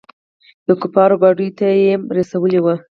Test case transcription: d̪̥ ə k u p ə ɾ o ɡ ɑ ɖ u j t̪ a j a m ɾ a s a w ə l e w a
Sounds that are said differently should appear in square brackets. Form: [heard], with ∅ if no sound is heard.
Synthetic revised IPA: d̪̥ ə k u p [ɑ] ɾ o [b] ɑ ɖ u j t̪ a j [e] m ɾ a s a w ə l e w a